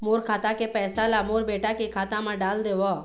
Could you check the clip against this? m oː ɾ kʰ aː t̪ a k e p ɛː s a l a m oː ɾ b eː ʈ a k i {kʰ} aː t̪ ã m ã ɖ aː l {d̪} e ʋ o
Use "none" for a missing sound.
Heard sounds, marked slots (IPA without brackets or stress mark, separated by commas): kʰ, d̪